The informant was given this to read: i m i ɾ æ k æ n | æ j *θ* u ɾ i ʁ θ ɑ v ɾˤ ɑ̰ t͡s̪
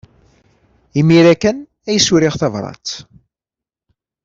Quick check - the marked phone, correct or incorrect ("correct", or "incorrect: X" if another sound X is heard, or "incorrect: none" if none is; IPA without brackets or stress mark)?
incorrect: s